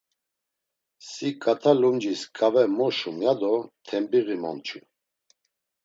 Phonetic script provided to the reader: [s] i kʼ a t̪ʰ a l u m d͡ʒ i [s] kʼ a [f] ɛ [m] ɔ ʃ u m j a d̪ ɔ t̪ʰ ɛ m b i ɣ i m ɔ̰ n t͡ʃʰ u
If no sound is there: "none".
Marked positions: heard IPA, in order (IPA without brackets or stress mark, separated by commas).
s, s, v, m